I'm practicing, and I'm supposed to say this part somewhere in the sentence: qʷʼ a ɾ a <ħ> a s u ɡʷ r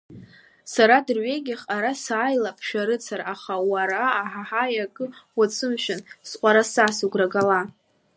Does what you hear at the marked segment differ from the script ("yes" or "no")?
yes